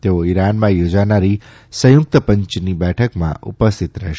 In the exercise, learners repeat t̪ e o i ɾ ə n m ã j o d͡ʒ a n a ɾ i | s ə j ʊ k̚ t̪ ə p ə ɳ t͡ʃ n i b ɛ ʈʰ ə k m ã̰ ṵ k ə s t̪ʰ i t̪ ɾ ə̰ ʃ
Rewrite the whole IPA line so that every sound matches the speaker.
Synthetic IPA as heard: t̪ e o i ɾ a n m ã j o d͡ʒ a n a ɾ i | s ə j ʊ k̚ t̪ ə p ə ɲ t͡ʃ n i b ɛ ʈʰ ə k m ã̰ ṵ p ə s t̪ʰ i t̪ ɾ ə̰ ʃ

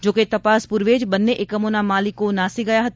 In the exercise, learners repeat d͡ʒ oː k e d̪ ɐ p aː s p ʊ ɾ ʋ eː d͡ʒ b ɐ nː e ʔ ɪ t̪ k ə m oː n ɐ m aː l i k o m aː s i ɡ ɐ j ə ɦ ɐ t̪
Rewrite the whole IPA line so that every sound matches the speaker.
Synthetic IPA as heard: d͡ʒ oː k e t̪ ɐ p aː s p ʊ ɾ ʋ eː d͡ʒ b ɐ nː e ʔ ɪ k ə m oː n a m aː l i k o n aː s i ɡ ɐ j a ɦ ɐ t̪

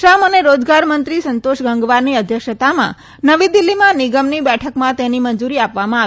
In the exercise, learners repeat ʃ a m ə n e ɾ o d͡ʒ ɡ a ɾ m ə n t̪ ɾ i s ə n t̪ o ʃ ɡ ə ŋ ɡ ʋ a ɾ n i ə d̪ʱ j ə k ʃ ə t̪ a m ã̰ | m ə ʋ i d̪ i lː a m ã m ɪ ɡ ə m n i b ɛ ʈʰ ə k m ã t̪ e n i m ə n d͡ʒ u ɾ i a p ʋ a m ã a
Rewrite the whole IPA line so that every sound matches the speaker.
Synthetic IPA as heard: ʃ a m ə n e ɾ o d͡ʒ ɡ a ɾ m ə n t̪ ɾ i s ə n t̪ o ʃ ɡ ə ŋ ɡ ʋ a ɾ n i ə d̪ʱ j ə k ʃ ə t̪ a m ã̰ | n ə ʋ i d̪ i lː i m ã n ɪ ɡ ə m n i b ɛ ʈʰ ə k m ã t̪ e n i m ə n d͡ʒ u ɾ i a p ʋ a m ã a

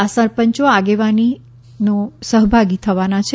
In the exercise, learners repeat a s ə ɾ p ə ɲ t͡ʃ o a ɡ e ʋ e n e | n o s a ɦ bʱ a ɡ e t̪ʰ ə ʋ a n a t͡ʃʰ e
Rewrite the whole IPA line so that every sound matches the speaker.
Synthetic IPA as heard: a s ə ɾ p ə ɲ t͡ʃ o a ɡ e ʋ a n i | n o s ə ɦ bʱ a ɡ i t̪ʰ ə ʋ a n a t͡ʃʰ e

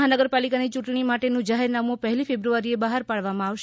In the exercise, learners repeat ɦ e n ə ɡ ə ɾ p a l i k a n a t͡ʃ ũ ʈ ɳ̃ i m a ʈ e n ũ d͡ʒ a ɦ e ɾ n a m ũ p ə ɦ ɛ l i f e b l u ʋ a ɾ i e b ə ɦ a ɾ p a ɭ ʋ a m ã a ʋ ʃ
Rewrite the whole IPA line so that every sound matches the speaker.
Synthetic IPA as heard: ɦ a n ə ɡ ə ɾ p a l i k a n i t͡ʃ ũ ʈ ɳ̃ i m a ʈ e n ũ d͡ʒ a ɦ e ɾ n a m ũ p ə ɦ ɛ l i f e b ɾ u ʋ a ɾ i e b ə ɦ a ɾ p a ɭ ʋ a m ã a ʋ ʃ

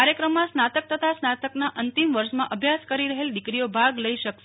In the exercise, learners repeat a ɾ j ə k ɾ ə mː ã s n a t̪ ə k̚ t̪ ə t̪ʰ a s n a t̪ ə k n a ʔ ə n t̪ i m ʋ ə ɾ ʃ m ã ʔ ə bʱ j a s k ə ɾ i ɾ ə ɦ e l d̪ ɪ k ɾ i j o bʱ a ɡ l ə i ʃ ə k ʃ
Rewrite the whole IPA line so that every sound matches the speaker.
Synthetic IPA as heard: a ɾ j ə k ɾ ə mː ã s n a t̪ ə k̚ t̪ ə t̪ʰ a s n a t̪ ə k n a ʔ ə n t̪ i m ʋ ə ɾ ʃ m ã ʔ ə bʱ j a s k ə ɾ i ɾ ə ɦ e l d̪ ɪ k ɾ i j o bʱ a ɡ l ə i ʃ ə k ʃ

